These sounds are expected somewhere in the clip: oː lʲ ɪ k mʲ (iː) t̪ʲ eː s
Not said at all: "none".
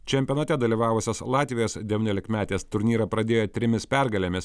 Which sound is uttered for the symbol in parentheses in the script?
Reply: æː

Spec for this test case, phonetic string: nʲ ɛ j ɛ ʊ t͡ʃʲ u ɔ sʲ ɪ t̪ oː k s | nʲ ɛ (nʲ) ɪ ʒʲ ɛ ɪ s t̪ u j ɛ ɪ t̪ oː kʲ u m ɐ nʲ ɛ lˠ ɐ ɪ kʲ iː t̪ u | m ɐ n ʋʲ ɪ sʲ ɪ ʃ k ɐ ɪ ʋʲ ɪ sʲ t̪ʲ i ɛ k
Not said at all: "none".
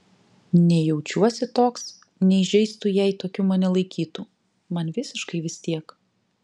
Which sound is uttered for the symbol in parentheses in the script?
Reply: none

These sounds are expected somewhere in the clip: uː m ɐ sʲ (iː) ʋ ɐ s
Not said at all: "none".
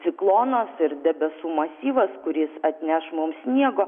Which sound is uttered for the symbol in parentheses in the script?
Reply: iː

